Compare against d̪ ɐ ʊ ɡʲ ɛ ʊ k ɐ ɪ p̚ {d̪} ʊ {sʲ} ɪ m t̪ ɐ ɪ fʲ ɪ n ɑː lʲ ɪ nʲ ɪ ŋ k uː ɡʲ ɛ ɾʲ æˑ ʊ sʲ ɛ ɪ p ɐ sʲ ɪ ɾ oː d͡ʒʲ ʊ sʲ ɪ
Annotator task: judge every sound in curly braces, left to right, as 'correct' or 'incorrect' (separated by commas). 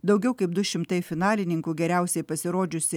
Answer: correct, incorrect